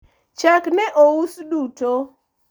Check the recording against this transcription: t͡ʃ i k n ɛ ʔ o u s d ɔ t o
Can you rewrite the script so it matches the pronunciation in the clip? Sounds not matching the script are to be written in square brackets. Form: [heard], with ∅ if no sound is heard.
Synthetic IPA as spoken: t͡ʃ [a] k n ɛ ʔ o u s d [u] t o